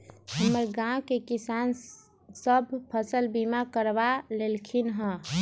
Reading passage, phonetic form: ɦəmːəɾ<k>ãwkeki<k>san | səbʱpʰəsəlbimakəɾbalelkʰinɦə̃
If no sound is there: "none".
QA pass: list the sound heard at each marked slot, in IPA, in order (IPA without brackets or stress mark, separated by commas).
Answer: ɡ, none